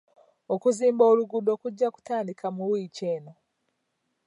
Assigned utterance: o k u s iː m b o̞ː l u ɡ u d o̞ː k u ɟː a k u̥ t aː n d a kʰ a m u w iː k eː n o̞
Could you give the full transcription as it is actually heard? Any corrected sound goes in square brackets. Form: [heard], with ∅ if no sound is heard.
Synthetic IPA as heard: o k u [z] iː m b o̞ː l u ɡ u d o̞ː k u ɟː a k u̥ t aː n d [i] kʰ a m u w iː [c] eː n o̞

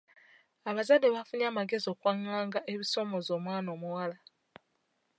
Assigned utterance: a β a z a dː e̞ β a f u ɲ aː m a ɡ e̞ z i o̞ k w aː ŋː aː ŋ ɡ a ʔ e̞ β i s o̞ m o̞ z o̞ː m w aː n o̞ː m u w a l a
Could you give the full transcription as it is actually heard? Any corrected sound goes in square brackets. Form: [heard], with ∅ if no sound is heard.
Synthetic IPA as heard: a β a z a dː e̞ β a f u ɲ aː m a ɡ e̞ z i o̞ k w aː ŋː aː ŋ ɡ a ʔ e̞ β i s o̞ m o̞ z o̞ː m w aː n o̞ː m u w a l a

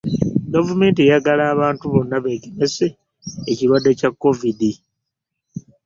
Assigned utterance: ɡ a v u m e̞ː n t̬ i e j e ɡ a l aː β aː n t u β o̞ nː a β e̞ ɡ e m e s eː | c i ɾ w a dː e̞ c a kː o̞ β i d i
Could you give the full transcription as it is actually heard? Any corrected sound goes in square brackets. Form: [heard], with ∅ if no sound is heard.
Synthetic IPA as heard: ɡ a v u m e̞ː n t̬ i e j [a] ɡ a l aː β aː n t u β o̞ nː a β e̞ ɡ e m e s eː | c i ɾ w a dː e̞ c a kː o̞ [v] i d i

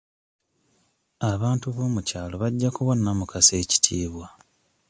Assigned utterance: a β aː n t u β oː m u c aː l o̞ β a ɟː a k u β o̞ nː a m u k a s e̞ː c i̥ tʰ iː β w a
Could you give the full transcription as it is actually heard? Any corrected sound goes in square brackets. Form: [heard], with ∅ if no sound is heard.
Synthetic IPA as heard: a β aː n t u β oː m u c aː l o̞ β a ɟː a k u β o̞ nː a m u k a s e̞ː c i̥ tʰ iː β w a

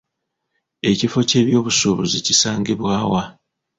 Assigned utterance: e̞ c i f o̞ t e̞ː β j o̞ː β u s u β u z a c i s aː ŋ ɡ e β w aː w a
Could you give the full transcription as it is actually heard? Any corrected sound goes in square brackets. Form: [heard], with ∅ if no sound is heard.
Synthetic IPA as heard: e̞ c i f o̞ [c] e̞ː β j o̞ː β u s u β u z [i] c i s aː ŋ ɡ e β w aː w a

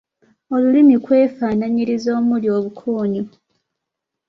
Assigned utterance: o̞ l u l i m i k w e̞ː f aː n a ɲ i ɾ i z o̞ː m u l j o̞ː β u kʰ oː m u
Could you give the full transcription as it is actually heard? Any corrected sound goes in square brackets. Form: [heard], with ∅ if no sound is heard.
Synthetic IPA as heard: o̞ l u l i m i k w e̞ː f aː n a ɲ i ɾ i z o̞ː m u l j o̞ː β u kʰ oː [ɲ] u

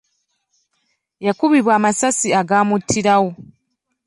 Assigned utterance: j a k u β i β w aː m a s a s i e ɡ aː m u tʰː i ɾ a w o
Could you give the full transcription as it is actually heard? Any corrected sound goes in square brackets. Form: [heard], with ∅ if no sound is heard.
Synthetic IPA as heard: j a k u β i β w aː m a s a s i [a] ɡ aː m u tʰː i ɾ a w o

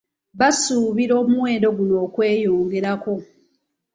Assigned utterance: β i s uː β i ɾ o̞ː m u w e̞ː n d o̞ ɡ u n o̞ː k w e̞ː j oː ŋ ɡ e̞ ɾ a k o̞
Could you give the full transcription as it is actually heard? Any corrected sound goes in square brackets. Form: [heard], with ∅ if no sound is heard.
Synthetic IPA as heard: β [a] s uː β i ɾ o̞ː m u w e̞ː n d o̞ ɡ u n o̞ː k w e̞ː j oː ŋ ɡ e̞ ɾ a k o̞

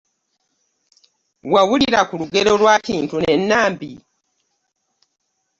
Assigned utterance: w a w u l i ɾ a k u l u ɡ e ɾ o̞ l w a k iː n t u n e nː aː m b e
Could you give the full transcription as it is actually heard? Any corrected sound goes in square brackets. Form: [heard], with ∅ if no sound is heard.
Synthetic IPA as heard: w a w u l i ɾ a k u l u ɡ e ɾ o̞ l w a k iː n t u n e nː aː m b [i]

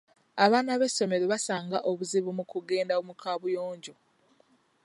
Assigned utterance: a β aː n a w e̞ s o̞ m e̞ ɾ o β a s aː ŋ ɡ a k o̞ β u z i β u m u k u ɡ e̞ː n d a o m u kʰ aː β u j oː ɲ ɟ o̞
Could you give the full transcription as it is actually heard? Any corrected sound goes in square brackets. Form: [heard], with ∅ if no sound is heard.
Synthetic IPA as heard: a β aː n a [β] e̞ s o̞ m e̞ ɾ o β a s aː ŋ ɡ a [ʔ] o̞ β u z i β u m u k u ɡ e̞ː n d a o m u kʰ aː β u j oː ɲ ɟ o̞

